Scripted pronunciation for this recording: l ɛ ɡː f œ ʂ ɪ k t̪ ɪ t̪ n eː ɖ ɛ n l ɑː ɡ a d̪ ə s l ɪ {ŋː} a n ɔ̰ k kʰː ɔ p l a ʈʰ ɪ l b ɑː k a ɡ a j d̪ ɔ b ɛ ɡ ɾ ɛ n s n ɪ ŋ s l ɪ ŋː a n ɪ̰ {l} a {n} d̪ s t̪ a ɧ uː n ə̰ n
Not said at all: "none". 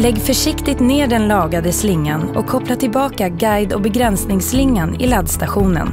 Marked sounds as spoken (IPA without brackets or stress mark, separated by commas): ŋː, l, none